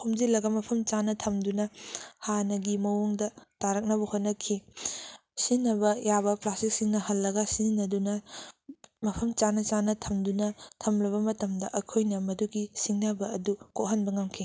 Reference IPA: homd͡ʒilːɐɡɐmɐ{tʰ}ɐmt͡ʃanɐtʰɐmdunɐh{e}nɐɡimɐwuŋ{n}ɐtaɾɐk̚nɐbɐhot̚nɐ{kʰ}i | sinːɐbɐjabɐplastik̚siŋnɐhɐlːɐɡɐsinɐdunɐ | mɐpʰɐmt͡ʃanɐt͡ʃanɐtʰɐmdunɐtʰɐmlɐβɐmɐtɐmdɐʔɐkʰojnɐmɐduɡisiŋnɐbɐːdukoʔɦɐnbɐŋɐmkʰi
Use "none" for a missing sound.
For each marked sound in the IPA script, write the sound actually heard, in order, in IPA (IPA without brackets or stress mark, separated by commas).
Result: pʰ, a, d, kʰ